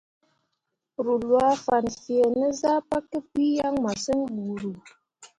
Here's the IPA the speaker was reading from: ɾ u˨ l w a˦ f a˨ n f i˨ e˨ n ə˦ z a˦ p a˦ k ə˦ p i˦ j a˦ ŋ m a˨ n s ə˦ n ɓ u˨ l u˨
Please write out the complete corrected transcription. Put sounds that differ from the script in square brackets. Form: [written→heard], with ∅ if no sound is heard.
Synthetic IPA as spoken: ɾ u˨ l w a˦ f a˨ n f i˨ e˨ n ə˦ z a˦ p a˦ k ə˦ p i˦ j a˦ ŋ m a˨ [n→∅] s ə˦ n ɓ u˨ [l→ɾ] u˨